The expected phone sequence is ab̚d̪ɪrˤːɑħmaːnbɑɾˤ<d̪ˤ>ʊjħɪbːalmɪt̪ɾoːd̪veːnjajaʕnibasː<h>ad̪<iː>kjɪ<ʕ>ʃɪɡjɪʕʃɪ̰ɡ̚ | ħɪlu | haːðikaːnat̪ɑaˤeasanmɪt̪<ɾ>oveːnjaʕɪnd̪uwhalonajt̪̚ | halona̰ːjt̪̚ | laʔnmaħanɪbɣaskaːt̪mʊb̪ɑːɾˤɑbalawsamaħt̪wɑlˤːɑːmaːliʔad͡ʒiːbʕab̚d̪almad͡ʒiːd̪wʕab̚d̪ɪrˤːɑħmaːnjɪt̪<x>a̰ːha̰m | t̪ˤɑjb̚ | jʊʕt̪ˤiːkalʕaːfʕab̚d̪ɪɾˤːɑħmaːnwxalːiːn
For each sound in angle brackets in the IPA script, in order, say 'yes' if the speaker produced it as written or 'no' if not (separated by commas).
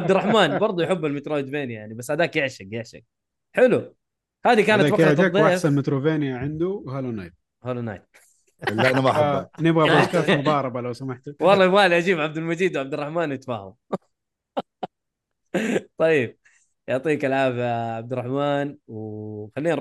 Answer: yes, yes, no, yes, yes, no